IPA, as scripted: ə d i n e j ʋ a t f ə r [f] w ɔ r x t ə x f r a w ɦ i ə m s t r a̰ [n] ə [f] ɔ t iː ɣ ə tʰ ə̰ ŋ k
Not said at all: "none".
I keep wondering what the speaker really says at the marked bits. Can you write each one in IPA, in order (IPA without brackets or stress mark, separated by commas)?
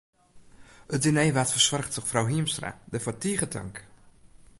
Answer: s, d, f